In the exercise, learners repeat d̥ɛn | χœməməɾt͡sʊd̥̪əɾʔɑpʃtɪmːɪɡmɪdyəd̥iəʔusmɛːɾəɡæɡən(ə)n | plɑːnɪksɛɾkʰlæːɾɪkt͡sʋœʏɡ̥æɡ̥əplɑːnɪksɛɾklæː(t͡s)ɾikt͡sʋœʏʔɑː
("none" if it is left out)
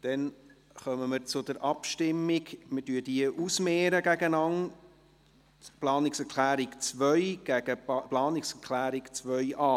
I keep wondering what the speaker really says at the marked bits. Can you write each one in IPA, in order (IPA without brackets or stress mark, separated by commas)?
ɑ, none